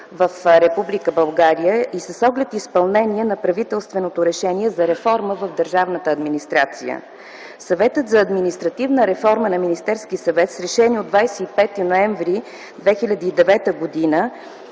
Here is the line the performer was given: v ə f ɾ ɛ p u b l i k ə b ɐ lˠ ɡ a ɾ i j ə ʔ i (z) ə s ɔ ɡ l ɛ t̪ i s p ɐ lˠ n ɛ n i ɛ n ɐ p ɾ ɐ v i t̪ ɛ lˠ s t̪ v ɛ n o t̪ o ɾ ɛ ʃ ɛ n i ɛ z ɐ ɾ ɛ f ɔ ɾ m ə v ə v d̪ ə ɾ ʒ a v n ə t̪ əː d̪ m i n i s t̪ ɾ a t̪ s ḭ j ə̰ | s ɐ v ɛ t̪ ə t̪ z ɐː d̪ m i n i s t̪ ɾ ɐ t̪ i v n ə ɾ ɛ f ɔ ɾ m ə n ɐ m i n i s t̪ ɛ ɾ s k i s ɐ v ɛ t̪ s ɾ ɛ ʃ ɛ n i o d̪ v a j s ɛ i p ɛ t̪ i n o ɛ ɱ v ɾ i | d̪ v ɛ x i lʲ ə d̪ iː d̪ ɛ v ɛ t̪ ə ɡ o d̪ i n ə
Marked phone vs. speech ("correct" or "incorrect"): incorrect